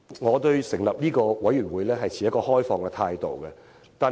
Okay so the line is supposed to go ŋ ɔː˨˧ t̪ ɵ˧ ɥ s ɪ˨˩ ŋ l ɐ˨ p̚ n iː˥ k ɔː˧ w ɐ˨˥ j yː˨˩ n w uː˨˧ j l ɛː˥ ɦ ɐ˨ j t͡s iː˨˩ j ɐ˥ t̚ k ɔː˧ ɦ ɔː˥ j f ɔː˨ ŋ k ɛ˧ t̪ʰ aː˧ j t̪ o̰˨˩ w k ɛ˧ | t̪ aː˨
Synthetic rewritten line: ŋ ɔː˨˧ t̪ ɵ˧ ɥ s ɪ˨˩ ŋ l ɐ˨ p̚ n iː˥ k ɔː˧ w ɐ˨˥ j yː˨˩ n w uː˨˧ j l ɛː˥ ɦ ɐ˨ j t͡sʰ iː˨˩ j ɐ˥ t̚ k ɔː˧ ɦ ɔː˥ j f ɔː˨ ŋ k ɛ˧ t̪ʰ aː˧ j t̪ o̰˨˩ w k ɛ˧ | t̪ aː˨